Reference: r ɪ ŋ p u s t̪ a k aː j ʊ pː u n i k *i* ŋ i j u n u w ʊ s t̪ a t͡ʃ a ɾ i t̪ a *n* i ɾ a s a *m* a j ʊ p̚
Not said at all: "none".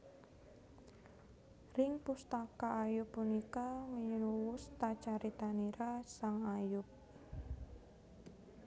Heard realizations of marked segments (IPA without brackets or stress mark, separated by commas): a, n, ŋ